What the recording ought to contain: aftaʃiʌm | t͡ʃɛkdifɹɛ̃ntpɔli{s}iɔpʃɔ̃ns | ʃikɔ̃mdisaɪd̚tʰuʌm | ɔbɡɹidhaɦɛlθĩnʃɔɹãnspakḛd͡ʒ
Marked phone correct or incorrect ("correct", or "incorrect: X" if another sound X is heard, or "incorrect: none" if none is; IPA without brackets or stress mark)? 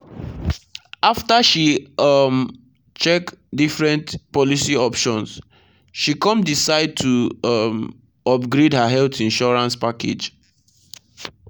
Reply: correct